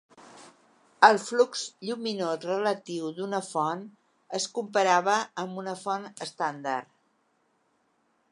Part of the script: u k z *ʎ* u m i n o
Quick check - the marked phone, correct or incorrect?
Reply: correct